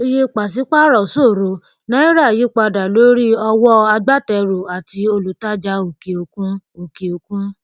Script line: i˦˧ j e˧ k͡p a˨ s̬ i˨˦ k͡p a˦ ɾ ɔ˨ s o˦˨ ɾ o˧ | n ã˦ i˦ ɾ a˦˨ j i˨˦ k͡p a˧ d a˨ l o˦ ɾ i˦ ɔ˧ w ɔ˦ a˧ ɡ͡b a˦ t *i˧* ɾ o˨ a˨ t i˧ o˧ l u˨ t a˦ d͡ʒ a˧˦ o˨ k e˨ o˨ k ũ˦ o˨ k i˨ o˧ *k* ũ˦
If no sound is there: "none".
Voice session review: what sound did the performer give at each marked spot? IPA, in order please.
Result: ɛ˧, k

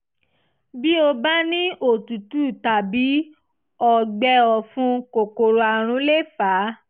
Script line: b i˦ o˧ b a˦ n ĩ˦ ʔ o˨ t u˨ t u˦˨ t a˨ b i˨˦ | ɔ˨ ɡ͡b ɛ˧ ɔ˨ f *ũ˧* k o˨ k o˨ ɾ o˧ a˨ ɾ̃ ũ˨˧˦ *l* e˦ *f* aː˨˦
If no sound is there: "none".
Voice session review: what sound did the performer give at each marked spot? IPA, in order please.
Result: ũ˧, l, f

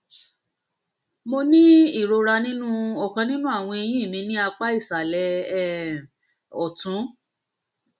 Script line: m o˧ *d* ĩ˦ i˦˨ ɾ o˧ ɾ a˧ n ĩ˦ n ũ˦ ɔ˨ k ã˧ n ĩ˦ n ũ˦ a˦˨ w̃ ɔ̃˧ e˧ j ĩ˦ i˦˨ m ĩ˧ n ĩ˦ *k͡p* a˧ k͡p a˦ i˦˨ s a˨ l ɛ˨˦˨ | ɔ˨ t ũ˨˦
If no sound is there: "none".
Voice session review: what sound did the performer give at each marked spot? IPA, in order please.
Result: n, none

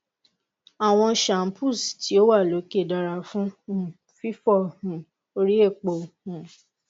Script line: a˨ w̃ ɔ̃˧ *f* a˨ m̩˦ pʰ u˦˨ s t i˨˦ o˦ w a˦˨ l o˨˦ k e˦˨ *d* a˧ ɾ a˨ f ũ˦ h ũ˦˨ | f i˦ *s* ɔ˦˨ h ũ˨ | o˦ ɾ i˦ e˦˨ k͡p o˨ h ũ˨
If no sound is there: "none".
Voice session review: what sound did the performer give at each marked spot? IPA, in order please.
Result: ʃ, d, f

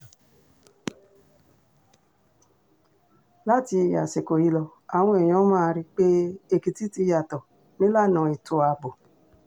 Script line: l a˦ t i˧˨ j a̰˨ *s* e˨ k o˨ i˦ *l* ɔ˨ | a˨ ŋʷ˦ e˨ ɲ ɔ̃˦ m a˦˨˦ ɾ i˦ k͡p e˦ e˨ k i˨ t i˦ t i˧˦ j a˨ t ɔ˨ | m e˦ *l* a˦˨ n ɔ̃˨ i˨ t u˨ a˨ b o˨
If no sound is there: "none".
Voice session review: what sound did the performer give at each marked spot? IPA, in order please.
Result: s, l, l

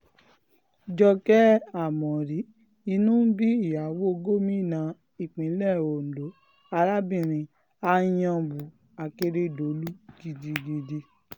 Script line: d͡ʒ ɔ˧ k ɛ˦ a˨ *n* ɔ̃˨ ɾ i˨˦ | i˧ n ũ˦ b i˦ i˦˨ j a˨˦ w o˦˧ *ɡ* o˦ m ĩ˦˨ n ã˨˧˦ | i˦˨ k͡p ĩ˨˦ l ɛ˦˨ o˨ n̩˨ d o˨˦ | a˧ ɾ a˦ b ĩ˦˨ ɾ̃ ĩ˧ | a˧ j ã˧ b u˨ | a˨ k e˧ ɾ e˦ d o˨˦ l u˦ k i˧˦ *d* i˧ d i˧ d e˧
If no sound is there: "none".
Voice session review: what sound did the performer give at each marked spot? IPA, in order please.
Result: m, ɡ, d

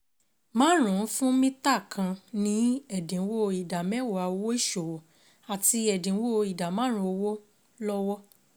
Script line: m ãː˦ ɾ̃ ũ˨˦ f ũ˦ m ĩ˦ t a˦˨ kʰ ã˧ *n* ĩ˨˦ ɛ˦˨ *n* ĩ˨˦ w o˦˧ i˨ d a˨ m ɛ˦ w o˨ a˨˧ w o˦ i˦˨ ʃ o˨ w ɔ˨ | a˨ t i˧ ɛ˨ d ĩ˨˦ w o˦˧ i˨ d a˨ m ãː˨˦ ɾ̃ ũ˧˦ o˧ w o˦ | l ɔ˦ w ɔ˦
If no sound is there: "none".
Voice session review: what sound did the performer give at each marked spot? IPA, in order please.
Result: n, d

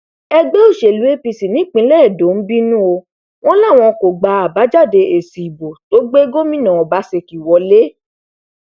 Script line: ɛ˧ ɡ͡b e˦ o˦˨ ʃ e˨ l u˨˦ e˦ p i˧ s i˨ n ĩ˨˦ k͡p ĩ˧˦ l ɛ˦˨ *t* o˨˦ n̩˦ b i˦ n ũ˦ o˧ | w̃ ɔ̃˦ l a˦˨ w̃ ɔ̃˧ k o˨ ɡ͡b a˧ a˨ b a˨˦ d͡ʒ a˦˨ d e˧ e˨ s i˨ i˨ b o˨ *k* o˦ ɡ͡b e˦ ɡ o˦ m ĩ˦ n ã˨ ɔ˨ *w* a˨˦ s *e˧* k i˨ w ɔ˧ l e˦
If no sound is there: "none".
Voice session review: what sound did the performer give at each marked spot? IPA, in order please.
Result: d, t, b, e˧

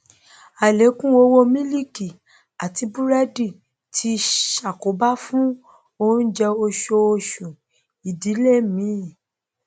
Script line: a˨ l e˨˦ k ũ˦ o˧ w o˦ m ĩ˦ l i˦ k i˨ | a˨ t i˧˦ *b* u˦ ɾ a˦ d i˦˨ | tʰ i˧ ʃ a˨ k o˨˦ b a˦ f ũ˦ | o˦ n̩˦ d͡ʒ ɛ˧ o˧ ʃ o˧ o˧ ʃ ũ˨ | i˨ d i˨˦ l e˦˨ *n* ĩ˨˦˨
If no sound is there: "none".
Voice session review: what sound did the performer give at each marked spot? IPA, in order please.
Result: b, m

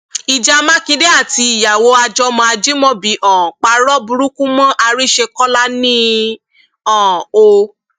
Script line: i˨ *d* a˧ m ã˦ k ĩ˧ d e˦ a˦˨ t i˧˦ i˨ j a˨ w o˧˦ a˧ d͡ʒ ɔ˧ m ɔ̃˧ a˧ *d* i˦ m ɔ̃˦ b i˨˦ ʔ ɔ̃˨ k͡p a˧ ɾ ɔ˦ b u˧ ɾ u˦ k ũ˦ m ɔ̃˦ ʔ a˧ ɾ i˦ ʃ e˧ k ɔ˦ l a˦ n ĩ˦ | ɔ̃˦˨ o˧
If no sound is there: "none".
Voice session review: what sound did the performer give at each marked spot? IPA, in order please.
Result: d͡ʒ, d͡ʒ

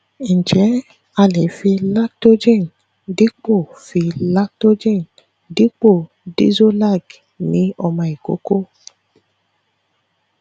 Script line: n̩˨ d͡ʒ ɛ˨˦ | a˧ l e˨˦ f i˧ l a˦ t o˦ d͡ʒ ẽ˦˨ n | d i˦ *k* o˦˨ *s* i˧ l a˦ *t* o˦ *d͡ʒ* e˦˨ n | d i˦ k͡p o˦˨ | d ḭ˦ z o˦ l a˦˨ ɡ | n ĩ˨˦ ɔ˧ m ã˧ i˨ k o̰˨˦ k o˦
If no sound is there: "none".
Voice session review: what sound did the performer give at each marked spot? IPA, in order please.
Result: k͡p, f, t, d͡ʒ

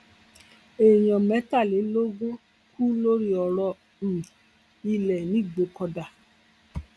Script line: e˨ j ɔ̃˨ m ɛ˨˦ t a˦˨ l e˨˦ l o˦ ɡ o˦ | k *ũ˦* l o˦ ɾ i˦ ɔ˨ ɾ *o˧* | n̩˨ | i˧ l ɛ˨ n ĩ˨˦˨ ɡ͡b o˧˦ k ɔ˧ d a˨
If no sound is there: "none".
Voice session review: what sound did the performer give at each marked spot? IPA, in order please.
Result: u˦, ɔ˧

